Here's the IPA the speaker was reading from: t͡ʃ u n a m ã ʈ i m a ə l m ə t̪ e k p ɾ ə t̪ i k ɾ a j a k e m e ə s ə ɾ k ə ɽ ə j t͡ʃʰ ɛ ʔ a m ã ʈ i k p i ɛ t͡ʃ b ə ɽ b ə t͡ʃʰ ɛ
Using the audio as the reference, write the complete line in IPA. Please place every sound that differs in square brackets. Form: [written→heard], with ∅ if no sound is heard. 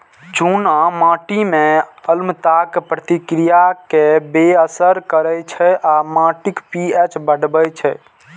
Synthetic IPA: t͡ʃ u n a m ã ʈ i m [a→e] ə l m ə t̪ [e→a] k p ɾ ə t̪ i k ɾ [a→i] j a k e [m→b] e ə s ə ɾ k ə [ɽ→ɾ] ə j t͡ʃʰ ɛ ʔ a m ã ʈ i k p i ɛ t͡ʃ b ə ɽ b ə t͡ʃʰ ɛ

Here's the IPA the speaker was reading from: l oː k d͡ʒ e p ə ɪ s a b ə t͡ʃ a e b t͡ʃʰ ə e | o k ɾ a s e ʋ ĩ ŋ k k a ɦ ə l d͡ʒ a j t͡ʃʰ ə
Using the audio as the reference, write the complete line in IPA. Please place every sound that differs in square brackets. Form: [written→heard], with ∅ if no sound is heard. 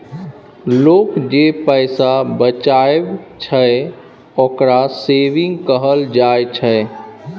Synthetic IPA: l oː k d͡ʒ e p ə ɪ s a b ə t͡ʃ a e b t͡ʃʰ ə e | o k ɾ a s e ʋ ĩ ŋ [k→ɡ] k [a→ə] ɦ ə l d͡ʒ a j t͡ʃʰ ə

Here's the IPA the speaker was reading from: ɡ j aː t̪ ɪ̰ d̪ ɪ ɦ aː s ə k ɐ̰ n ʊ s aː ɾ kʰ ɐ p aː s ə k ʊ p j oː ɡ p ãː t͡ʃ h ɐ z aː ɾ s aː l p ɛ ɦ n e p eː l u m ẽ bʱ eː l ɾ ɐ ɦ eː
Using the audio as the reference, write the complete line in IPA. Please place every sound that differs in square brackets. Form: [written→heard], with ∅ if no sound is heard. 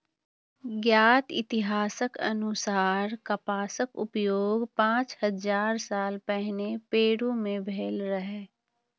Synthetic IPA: ɡ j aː t̪ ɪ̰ [d̪→t̪] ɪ ɦ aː s ə k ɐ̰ n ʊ s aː ɾ [kʰ→k] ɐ p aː s ə k ʊ p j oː ɡ p ãː t͡ʃ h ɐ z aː ɾ s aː l p ɛ ɦ n e p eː [l→ɽ] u m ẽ bʱ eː l ɾ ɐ ɦ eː

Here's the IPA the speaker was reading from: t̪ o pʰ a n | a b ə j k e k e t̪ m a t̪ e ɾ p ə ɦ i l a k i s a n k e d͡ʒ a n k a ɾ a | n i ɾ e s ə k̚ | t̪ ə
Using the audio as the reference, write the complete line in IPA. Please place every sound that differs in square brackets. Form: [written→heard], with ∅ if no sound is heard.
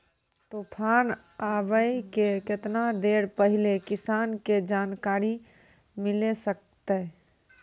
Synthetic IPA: t̪ o pʰ a n | a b ə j k e k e t̪ [m→n] a [t̪→d̪] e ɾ p ə ɦ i l [a→e] k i s a n k e d͡ʒ a n k a ɾ [a→i] | [n→m] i [ɾ→l] e s ə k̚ | t̪ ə

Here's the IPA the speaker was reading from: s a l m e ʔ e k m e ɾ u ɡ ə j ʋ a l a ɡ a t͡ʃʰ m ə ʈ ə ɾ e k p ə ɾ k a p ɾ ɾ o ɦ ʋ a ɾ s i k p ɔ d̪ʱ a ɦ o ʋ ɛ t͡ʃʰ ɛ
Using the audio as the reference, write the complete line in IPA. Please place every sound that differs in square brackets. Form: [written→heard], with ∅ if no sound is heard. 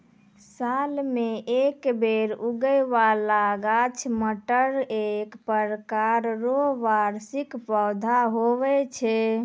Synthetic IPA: s a l m e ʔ e k [m→b] e ɾ u ɡ ə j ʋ a l a ɡ a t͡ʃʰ m ə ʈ ə ɾ e k p ə ɾ k a [p→∅] ɾ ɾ o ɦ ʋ a ɾ s i k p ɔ d̪ʱ a ɦ o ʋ ɛ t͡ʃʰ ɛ

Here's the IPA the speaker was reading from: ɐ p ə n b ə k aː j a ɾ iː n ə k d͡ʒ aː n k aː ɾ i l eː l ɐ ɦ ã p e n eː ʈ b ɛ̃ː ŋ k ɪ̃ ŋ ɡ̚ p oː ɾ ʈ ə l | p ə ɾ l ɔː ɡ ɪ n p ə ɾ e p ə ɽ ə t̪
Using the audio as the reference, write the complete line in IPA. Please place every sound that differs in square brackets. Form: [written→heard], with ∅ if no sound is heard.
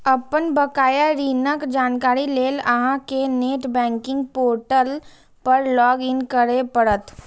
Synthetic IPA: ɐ p ə n b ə k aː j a ɾ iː n ə k d͡ʒ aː n k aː ɾ i l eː l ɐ ɦ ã [p→k] e n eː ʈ b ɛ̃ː ŋ k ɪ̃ ŋ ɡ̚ p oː ɾ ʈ ə l | p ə ɾ l ɔː ɡ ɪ n [p→k] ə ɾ e p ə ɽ ə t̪

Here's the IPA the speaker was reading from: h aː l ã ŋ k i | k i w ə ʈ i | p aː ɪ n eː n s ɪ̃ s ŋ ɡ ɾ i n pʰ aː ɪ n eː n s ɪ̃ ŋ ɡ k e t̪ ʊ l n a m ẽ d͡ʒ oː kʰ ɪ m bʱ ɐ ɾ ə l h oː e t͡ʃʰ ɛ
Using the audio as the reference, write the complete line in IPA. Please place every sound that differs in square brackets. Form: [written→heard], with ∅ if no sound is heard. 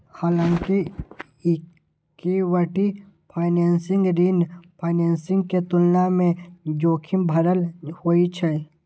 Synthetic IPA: h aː l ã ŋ k i | k i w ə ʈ i | [p→pʰ] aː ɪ n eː n s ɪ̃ [s→∅] ŋ ɡ ɾ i n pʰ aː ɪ n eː n s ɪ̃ ŋ ɡ k e t̪ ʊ l n a m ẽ d͡ʒ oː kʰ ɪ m bʱ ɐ ɾ ə l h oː [e→i] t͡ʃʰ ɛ

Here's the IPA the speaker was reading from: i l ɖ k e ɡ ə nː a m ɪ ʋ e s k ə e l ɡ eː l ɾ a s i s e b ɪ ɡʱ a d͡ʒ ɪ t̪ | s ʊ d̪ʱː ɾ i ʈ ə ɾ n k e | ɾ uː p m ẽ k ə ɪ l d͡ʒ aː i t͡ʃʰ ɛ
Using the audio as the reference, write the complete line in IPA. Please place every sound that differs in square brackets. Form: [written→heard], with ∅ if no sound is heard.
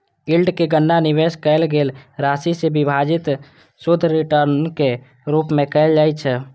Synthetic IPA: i l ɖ k e ɡ ə nː a [m→n] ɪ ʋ e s k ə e l ɡ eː l ɾ a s i s e b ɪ [ɡʱ→bʱ] a d͡ʒ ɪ t̪ | s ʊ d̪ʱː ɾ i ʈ ə ɾ n k e | ɾ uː p m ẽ k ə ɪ l d͡ʒ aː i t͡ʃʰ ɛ

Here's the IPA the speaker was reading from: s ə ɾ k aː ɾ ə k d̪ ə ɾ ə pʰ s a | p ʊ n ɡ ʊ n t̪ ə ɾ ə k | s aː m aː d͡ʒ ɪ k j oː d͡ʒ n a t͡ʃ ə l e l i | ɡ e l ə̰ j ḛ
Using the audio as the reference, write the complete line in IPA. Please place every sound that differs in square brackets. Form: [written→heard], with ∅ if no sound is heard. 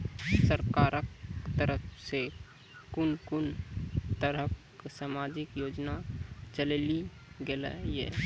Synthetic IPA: s ə ɾ k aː ɾ ə k [d̪→t̪] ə ɾ ə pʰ s [a→e] | [p→k] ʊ n [ɡ→k] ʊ n t̪ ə ɾ ə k | s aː m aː d͡ʒ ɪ k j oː d͡ʒ n a t͡ʃ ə l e l i | ɡ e l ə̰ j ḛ

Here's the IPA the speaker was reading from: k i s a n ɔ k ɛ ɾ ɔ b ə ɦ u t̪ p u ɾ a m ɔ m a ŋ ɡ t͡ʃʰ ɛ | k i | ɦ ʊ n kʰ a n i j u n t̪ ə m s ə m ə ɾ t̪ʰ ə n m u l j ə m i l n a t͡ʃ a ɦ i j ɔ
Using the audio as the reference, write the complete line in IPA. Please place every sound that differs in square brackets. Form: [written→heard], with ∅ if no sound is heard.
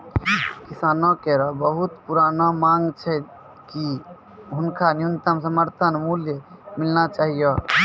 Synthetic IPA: k i s a n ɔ k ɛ ɾ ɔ b ə ɦ u t̪ p u ɾ a [m→n] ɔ m a ŋ ɡ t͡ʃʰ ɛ | k i | ɦ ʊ n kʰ a n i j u n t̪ ə m s ə m ə ɾ t̪ʰ ə n m u l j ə m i l n a t͡ʃ a ɦ i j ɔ

